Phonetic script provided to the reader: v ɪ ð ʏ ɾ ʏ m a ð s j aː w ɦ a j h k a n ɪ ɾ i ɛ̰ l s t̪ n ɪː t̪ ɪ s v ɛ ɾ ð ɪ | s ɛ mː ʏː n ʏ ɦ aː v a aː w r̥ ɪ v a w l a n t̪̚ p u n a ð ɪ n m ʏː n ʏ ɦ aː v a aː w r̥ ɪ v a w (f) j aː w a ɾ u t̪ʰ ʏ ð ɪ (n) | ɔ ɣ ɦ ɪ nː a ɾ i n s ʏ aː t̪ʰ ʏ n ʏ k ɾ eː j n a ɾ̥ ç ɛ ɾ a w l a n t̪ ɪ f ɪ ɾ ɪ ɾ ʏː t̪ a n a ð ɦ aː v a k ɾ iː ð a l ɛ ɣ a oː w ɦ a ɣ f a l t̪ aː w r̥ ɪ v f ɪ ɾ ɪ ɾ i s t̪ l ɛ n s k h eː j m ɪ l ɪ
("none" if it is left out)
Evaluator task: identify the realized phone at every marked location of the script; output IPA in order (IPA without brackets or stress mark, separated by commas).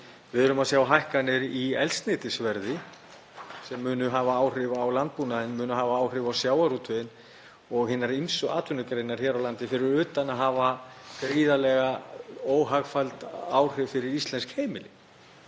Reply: s, n